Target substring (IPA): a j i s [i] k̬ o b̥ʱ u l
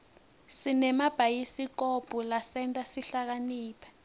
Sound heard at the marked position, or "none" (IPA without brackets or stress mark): i